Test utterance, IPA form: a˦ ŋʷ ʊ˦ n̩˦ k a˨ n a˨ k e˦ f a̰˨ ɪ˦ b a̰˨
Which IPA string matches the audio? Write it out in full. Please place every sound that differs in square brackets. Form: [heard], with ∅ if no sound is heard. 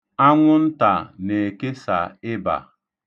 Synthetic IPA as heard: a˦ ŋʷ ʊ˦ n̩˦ [t] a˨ n [e˨] k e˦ [s] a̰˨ ɪ˦ b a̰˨